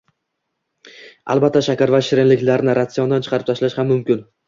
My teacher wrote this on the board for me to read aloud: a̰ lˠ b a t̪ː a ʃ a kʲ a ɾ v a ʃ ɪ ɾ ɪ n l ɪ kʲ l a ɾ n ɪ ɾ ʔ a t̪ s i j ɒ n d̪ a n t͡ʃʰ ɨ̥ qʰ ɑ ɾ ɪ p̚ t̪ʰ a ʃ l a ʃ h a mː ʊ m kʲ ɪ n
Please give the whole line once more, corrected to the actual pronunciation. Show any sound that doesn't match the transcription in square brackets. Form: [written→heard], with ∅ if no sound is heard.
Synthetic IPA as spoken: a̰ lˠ b a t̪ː a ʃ a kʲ a ɾ v a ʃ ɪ ɾ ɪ n l ɪ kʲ l a ɾ n ɪ ɾ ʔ a t̪ s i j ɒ n d̪ a n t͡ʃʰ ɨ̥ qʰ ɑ ɾ ɪ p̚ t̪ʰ a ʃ l a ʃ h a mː ʊ m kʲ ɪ n